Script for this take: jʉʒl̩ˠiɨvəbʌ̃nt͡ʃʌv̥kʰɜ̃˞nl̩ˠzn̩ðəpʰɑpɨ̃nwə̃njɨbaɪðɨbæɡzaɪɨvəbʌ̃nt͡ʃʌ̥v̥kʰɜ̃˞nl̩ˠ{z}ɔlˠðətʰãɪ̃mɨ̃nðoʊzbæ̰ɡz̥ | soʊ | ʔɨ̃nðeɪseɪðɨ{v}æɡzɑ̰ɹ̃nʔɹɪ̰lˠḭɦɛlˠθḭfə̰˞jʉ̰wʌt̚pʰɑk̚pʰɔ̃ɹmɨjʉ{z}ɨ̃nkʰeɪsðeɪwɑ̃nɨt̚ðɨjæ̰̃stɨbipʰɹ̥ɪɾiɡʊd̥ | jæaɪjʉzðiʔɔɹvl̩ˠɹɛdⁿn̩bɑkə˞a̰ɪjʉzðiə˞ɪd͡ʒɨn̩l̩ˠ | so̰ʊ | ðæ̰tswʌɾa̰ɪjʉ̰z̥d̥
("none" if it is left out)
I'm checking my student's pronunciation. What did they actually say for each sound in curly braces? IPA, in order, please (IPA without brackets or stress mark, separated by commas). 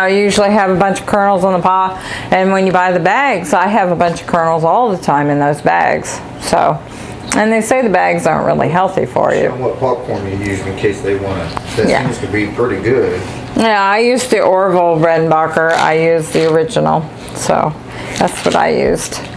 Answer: z, b, z